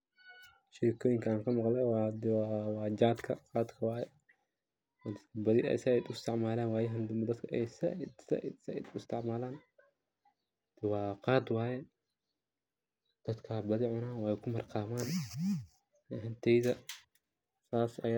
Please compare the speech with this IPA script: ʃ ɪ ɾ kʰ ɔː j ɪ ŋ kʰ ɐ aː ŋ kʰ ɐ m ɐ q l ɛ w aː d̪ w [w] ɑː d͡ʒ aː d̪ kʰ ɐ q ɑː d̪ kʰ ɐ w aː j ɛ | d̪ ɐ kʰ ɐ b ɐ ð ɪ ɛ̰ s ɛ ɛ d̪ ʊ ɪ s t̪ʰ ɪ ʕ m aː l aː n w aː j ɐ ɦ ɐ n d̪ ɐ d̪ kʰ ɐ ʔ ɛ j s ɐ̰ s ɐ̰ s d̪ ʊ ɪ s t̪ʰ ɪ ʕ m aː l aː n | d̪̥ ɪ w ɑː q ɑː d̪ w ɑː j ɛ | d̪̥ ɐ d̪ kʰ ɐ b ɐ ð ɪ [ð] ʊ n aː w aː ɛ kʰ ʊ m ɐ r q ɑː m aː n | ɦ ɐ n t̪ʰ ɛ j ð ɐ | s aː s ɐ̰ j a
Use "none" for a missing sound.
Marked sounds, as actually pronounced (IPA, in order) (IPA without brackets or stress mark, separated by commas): w, ʕ